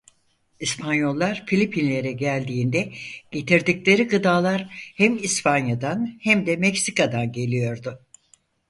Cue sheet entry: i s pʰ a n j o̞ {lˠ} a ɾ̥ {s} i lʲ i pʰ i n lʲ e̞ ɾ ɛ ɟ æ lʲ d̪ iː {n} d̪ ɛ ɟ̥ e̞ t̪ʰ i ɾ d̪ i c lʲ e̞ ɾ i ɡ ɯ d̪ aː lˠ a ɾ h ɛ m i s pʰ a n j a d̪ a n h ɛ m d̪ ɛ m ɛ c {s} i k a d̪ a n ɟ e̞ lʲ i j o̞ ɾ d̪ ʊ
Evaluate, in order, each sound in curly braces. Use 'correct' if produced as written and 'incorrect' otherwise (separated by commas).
incorrect, incorrect, correct, correct